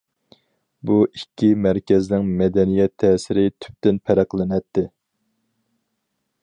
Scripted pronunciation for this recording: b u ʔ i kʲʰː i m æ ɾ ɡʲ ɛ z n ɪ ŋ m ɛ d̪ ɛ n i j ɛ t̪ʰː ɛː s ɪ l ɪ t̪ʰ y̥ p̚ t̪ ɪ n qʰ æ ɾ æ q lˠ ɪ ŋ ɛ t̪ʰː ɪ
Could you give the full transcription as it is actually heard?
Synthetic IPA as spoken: b u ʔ i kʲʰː i m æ ɾ kʲ ɛ z n ɪ ŋ m ɛ d̪ ɛ n i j ɛ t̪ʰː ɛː s ɪ ɾ ɪ t̪ʰ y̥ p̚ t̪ ɪ n pʰ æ ɾ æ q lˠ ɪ n ɛ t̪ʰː ɪ